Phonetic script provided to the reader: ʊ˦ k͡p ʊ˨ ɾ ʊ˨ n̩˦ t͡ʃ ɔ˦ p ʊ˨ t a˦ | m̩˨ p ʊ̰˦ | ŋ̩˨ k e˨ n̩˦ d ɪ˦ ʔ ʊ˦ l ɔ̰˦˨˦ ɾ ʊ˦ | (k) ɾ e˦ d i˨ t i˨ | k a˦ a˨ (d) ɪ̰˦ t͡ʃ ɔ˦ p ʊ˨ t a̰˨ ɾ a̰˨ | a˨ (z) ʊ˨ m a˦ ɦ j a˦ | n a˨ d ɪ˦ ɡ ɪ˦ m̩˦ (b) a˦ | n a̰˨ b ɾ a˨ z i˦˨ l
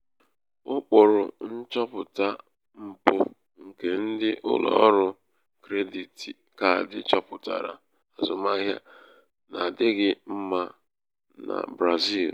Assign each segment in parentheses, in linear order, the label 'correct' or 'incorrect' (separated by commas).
correct, correct, correct, incorrect